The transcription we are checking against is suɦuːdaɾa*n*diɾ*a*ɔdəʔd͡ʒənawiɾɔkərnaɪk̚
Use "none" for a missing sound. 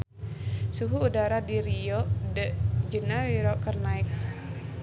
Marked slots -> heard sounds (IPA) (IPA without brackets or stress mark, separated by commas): none, i